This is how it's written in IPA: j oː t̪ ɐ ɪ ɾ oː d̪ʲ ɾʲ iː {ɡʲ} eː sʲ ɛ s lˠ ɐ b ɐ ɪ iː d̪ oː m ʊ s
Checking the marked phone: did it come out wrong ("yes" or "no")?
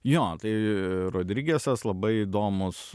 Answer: no